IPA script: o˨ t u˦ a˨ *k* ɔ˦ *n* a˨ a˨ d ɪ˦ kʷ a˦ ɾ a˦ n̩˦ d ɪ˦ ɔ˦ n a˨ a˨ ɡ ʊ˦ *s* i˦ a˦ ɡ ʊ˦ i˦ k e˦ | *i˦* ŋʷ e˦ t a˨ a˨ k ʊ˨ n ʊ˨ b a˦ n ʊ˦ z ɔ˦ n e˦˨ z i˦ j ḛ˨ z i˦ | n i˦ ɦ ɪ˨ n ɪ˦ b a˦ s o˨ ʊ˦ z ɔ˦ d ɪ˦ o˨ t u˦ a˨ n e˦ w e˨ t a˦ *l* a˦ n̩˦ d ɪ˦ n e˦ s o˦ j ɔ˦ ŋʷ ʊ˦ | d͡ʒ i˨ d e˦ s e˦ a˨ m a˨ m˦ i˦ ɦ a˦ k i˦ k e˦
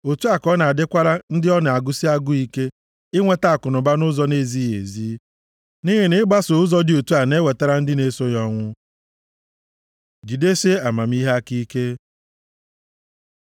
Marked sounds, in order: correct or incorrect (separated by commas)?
correct, correct, correct, incorrect, incorrect